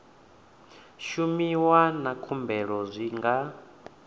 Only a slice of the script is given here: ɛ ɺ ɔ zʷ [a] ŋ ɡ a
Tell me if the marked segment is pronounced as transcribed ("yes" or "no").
no